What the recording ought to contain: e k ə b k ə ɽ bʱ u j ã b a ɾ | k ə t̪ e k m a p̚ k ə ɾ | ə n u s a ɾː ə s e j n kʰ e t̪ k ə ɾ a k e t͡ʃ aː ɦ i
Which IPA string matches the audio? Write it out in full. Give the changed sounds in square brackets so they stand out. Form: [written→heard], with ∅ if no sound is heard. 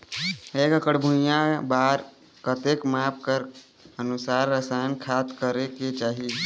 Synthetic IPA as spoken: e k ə [b→∅] k ə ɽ bʱ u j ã b a ɾ | k ə t̪ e k m a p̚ k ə ɾ | ə n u s a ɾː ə s [e→a] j n kʰ [e→a] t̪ k ə ɾ [a→e] k e t͡ʃ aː ɦ i